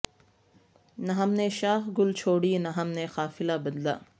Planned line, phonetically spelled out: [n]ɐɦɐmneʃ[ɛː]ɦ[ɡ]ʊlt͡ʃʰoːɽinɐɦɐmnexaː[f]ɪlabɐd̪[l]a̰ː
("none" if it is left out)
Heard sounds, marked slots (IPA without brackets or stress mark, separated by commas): n, aː, ɡ, f, l